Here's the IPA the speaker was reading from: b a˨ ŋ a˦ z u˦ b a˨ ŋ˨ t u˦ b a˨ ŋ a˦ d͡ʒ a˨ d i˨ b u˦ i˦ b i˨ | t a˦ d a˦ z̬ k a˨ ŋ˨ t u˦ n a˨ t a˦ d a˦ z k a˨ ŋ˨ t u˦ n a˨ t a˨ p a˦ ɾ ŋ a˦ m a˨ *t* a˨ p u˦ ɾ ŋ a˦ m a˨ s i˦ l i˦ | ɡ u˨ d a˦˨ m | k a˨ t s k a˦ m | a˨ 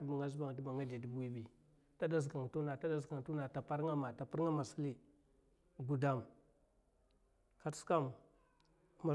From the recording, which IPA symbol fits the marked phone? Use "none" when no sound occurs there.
t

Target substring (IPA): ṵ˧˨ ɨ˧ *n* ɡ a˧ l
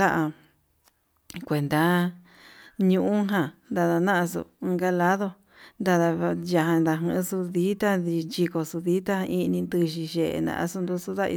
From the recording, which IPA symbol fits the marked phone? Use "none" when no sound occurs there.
ŋ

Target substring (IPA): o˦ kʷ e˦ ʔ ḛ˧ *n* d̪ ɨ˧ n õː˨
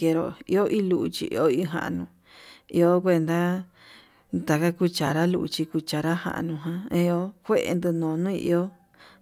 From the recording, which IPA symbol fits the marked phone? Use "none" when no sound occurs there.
n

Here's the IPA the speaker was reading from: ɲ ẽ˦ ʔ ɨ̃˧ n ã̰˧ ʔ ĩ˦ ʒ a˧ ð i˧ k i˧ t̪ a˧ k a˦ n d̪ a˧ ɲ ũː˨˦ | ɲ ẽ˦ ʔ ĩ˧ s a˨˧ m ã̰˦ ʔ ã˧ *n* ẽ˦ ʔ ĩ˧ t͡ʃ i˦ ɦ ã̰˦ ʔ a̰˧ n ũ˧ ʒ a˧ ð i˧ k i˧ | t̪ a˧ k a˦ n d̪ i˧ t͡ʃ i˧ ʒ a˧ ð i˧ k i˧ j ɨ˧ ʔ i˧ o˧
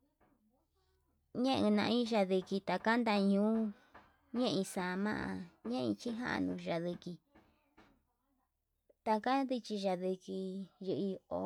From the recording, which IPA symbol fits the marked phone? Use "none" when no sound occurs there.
ɲ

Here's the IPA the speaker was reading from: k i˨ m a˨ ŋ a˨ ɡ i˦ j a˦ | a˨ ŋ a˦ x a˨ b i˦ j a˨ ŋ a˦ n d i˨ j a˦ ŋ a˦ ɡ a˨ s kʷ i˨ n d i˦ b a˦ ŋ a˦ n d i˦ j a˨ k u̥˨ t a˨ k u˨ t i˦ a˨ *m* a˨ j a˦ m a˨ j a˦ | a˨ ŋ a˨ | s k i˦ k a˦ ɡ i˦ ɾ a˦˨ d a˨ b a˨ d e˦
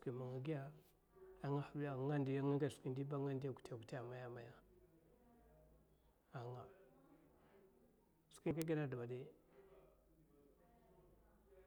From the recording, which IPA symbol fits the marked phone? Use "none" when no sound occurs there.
m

